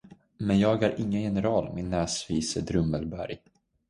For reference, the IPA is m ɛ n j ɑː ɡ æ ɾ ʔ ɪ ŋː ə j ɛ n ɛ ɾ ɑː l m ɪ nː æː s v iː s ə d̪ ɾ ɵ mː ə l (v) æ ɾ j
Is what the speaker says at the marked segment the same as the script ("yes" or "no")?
no